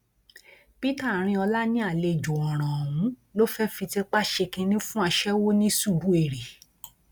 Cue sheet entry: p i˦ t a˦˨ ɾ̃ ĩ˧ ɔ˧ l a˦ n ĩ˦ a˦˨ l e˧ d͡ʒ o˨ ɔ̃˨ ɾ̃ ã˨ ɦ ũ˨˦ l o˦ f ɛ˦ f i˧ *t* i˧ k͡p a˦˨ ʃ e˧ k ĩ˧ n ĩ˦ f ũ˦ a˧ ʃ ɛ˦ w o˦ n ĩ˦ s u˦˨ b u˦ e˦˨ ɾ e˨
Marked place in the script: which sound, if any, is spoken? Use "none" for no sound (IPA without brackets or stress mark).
t